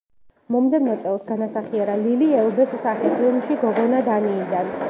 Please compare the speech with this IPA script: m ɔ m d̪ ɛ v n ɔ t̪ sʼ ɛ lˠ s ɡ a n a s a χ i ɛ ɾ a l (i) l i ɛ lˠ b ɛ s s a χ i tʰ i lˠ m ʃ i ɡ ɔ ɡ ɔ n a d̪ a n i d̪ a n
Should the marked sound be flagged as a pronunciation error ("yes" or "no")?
no